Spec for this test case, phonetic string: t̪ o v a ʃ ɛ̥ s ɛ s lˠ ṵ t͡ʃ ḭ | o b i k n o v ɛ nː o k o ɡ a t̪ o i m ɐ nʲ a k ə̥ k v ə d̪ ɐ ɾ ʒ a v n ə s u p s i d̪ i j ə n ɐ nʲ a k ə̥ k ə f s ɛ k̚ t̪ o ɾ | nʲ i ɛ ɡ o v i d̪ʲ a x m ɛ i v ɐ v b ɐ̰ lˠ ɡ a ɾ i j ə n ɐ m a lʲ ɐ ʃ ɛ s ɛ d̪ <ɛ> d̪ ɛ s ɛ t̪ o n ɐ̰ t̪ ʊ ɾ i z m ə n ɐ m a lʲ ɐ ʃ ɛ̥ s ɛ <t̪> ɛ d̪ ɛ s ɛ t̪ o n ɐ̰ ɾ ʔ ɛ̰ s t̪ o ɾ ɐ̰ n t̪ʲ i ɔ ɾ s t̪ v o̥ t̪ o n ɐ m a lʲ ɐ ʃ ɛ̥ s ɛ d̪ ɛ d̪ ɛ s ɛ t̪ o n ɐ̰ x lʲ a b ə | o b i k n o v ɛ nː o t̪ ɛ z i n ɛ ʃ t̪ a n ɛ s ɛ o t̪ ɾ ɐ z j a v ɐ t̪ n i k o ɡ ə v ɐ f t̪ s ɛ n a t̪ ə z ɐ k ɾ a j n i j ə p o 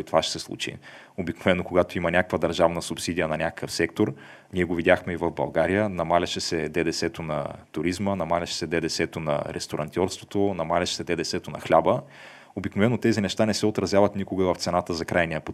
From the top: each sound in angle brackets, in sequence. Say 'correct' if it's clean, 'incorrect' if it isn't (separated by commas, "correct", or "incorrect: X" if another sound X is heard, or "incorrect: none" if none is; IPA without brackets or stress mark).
correct, incorrect: d̪